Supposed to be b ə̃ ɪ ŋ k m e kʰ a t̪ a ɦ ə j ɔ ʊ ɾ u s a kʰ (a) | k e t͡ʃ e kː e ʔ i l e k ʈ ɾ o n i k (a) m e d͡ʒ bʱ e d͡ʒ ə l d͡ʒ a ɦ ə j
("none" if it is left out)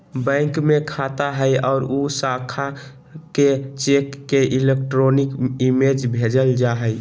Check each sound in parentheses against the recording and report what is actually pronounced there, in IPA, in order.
a, i

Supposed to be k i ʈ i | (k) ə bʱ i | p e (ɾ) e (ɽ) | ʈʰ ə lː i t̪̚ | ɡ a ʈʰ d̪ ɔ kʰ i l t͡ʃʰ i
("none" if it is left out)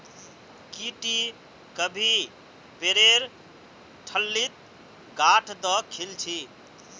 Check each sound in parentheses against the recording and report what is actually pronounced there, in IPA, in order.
k, ɾ, ɾ

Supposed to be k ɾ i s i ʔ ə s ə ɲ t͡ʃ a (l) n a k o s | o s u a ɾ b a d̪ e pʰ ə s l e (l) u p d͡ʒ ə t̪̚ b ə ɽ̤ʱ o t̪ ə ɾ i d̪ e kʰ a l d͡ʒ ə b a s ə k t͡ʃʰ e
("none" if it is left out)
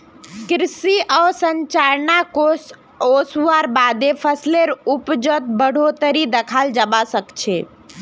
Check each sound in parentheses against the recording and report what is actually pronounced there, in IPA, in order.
ɾ, ɾ

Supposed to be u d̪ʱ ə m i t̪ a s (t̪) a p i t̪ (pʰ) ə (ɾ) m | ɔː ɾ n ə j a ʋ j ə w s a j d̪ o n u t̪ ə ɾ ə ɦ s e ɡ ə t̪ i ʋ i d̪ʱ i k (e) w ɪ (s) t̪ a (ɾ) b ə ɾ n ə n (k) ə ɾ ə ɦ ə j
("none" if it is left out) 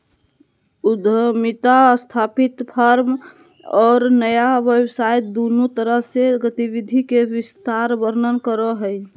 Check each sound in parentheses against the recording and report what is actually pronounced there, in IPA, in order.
t̪ʰ, pʰ, ɾ, e, s, ɾ, k

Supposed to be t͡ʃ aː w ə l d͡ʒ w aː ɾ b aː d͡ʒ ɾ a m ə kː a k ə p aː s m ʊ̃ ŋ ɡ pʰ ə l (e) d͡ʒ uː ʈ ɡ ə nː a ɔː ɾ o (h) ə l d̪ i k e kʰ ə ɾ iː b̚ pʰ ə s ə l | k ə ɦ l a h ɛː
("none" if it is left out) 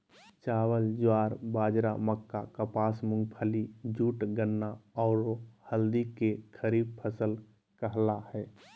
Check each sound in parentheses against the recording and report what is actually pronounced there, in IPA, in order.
i, h

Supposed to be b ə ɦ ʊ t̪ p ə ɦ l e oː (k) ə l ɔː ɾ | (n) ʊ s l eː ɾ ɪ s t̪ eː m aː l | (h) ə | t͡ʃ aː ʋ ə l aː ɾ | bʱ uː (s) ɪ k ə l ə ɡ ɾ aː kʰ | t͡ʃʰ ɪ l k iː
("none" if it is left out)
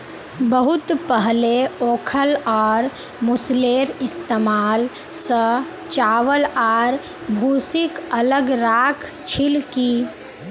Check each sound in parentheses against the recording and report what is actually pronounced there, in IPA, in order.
kʰ, m, s, s

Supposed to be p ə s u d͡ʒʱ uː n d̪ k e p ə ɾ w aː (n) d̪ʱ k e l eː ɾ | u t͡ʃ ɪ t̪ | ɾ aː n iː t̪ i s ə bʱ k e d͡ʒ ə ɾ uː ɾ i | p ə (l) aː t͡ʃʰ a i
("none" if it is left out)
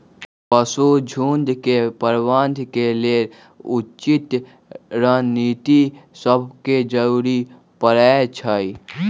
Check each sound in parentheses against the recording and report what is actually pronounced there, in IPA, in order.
n, ɾ

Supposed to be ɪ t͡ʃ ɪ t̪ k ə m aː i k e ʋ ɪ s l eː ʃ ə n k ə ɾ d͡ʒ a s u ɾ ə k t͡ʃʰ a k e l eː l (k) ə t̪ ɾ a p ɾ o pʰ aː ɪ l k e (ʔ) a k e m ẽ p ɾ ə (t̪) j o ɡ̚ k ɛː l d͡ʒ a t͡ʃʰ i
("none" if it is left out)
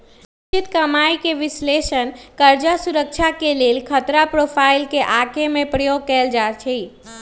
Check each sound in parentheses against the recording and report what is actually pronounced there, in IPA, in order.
kʰ, ʔ, none

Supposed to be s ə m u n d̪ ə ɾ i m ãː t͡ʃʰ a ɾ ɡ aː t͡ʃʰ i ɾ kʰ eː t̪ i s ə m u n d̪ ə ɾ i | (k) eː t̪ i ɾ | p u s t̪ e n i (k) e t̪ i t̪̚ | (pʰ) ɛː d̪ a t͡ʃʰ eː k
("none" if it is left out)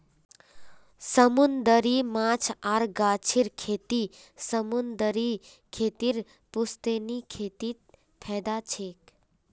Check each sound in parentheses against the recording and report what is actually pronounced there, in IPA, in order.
kʰ, kʰ, pʰ

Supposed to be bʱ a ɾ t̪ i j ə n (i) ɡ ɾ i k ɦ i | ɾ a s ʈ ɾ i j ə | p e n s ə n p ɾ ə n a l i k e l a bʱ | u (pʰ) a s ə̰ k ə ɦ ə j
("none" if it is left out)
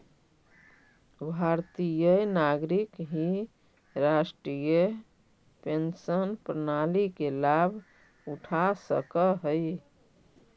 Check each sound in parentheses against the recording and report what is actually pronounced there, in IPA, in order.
a, ʈʰ

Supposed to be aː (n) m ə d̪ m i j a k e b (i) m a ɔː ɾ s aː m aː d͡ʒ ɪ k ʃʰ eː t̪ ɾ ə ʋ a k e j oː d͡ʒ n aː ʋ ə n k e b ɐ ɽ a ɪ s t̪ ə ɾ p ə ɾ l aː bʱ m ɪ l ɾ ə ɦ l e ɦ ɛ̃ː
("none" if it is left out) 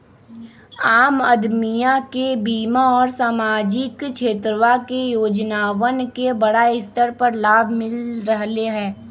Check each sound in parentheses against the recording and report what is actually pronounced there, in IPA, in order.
none, iː

